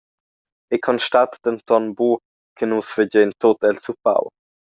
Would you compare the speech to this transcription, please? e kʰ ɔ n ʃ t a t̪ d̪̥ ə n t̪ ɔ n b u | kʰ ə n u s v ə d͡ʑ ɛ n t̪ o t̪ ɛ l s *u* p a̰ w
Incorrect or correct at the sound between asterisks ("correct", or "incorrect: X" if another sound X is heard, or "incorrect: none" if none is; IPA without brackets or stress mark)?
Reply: correct